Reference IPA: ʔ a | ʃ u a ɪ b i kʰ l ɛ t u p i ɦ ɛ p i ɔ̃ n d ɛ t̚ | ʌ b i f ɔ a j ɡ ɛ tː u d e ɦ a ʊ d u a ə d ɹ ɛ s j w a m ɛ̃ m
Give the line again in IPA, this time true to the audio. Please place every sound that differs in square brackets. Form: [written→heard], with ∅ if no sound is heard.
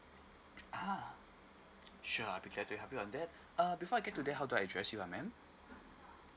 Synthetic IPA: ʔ a | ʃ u a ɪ b i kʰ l ɛ t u [p→b] i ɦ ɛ p i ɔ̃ n d ɛ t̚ | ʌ b i f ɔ a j ɡ ɛ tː u d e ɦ a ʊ d u a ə d ɹ ɛ s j [w→u] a m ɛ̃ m